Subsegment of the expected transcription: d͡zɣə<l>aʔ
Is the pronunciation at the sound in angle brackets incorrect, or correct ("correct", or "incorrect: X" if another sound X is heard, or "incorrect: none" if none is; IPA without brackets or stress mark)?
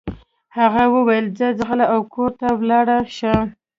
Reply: correct